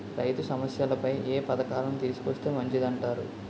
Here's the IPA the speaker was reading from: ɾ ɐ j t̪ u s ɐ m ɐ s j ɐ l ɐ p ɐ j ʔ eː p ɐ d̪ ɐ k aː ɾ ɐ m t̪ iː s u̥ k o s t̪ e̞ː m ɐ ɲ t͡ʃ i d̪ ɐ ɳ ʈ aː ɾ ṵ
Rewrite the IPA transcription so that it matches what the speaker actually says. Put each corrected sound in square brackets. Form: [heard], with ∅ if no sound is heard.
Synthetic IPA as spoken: ɾ ɐ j t̪ u s ɐ m ɐ s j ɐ l ɐ p ɐ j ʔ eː p ɐ d̪ ɐ k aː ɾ ɐ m t̪ iː s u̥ k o s t̪ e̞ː m ɐ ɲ t͡ʃ i d̪ ɐ ɳ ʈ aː ɾ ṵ